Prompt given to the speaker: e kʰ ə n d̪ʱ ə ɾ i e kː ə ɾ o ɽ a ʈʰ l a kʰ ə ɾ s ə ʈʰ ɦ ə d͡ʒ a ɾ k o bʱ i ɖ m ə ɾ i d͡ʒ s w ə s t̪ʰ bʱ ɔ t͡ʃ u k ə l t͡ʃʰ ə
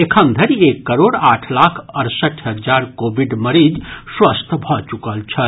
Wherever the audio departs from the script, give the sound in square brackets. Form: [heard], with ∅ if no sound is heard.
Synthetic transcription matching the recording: e kʰ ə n d̪ʱ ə ɾ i e kː ə ɾ o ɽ a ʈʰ l a kʰ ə ɾ s ə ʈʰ ɦ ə d͡ʒ a ɾ k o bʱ i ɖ m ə ɾ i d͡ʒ s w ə s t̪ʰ bʱ ɔ t͡ʃ u k ə l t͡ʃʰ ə